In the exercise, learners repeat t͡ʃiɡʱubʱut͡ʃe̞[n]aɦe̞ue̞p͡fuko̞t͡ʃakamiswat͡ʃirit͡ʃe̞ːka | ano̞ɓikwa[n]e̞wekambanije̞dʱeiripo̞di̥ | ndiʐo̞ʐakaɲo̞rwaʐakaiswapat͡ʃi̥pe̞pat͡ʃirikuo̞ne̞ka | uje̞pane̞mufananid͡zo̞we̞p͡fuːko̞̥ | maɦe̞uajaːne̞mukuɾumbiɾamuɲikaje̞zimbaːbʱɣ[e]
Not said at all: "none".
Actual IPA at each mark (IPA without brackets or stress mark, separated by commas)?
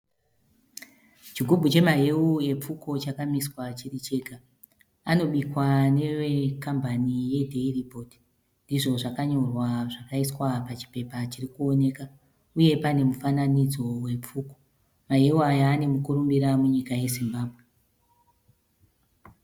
m, n, e